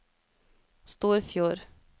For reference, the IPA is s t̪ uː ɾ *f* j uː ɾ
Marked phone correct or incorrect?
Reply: correct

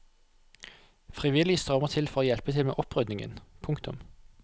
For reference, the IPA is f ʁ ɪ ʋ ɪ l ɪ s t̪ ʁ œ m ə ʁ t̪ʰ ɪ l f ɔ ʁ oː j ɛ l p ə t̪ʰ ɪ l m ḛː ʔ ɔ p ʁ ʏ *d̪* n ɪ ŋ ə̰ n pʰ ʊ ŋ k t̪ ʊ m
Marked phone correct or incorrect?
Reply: correct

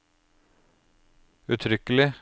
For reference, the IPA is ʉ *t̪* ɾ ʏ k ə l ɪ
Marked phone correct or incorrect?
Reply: incorrect: t̪ʰ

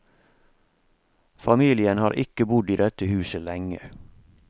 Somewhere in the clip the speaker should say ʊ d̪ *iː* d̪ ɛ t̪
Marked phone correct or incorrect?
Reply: correct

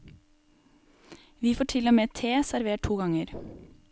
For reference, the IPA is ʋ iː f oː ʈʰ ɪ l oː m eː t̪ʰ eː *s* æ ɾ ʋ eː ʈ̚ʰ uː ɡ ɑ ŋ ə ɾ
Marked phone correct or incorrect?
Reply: correct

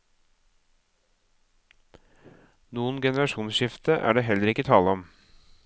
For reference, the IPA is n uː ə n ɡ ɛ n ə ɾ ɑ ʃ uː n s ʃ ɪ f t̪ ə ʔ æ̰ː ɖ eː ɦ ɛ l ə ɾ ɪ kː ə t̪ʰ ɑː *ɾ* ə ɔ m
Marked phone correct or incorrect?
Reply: incorrect: l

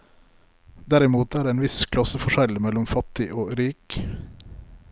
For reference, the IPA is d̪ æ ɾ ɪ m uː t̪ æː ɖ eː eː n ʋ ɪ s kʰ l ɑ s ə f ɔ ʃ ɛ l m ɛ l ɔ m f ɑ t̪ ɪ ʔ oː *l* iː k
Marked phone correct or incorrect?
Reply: incorrect: ɾ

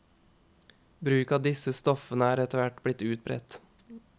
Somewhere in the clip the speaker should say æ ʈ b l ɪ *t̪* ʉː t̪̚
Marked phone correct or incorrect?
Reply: correct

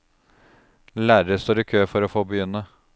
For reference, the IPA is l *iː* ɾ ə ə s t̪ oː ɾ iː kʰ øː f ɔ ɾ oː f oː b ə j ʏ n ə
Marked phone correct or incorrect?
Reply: incorrect: æː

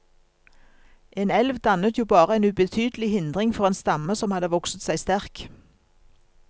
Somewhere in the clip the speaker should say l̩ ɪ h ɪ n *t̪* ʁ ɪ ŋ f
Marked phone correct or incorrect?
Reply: incorrect: d̪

